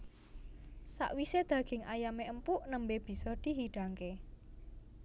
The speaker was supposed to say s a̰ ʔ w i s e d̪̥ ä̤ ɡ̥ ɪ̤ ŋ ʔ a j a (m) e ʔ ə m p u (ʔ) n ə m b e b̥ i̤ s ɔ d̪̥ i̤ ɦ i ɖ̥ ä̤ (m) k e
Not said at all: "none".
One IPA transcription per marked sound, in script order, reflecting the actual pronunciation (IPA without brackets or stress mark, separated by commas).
m, ʔ, ŋ